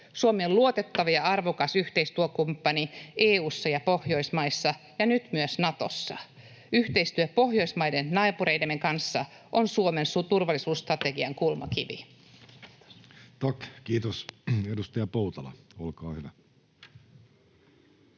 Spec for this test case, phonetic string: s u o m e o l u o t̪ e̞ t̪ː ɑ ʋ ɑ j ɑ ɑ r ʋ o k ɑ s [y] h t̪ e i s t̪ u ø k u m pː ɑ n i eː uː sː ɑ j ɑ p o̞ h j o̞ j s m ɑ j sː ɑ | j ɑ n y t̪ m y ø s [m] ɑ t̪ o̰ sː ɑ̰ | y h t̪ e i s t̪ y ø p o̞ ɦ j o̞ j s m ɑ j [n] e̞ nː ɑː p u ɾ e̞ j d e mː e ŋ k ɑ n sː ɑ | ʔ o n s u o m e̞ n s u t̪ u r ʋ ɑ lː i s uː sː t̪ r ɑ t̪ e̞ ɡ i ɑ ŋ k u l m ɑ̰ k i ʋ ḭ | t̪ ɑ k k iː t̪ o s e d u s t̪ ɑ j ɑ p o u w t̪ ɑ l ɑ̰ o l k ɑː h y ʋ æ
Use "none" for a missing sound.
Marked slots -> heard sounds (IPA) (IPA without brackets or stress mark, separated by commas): y, n, d